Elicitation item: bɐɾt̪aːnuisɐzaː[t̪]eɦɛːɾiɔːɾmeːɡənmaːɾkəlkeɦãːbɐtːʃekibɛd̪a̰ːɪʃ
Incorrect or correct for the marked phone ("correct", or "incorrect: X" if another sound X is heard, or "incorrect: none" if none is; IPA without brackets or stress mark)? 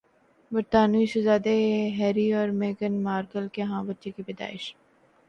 incorrect: d̪